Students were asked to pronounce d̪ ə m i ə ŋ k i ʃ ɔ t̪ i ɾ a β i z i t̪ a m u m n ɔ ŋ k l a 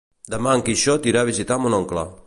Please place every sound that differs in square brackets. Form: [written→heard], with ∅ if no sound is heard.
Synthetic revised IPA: d̪ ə m [i→a] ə ŋ k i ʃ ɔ t̪ i ɾ a β i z i t̪ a m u [m→∅] n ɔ ŋ k l a